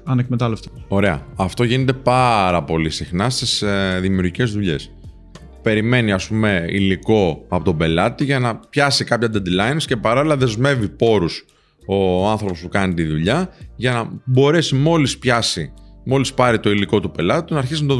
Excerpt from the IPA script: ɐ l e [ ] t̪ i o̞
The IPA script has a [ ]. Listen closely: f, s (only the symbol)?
f